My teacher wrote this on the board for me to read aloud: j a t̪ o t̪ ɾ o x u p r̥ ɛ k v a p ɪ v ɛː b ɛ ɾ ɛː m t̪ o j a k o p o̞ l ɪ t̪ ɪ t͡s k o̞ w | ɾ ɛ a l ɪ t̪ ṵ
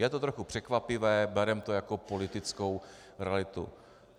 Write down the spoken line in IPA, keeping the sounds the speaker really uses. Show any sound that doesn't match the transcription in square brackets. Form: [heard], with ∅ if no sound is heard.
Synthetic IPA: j [ɛ] t̪ o t̪ ɾ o x u p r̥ ɛ k v a p ɪ v ɛː b ɛ ɾ [ɛ] m t̪ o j a k o p o̞ l ɪ t̪ ɪ t͡s k o̞ w | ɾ ɛ a l ɪ t̪ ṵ